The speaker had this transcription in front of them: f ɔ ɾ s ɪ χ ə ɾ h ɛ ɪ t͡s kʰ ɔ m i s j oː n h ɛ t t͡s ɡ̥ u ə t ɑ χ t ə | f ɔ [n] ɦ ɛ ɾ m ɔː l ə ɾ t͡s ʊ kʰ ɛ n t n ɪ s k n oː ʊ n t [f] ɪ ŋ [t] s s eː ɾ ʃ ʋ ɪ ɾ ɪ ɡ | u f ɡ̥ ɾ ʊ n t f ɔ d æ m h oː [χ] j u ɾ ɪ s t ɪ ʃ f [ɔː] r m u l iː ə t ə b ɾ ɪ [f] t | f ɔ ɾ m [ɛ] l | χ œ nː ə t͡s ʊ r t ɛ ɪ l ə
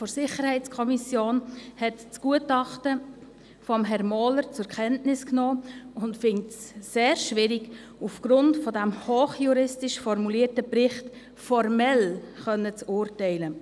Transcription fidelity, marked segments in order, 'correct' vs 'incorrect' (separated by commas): incorrect, correct, correct, correct, incorrect, incorrect, correct